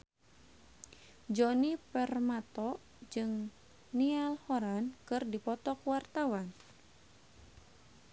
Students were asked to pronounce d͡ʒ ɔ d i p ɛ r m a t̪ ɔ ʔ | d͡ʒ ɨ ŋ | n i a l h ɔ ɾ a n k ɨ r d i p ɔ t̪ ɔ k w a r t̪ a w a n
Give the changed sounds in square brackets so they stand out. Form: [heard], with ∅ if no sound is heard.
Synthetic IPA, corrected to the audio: d͡ʒ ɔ [n] i p ɛ r m a t̪ ɔ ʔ | d͡ʒ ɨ ŋ | n i a l h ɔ ɾ a n k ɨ r d i p ɔ t̪ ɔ k w a r t̪ a w a n